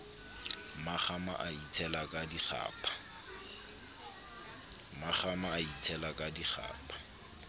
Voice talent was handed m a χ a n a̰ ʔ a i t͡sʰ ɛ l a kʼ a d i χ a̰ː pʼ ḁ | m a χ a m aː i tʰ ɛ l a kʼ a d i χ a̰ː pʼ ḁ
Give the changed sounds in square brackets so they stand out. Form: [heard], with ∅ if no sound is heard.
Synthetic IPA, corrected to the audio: m a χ a [m] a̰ ʔ a i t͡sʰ ɛ l a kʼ a d i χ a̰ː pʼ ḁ | m a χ a m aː i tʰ ɛ l a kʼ a d i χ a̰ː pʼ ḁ